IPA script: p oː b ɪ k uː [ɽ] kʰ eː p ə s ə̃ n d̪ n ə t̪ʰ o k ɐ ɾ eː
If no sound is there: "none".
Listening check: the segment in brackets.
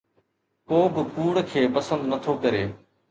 ɽ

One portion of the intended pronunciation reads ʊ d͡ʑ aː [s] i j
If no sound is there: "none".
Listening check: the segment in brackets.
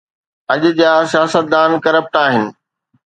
s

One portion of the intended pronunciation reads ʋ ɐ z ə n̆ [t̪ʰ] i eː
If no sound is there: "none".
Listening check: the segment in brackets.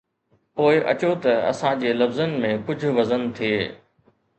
t̪ʰ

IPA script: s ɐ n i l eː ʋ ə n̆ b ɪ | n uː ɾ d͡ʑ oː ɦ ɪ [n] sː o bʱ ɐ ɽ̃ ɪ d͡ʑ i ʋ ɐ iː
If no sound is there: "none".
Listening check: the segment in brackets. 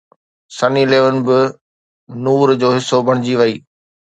none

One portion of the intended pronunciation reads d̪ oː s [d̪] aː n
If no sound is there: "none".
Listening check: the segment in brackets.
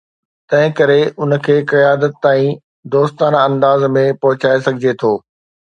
t̪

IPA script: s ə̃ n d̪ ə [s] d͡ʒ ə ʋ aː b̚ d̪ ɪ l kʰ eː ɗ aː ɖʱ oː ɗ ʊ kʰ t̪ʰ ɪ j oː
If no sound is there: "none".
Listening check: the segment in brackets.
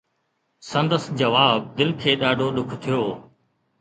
s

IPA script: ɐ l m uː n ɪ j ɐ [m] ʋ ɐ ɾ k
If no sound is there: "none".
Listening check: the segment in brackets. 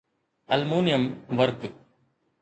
m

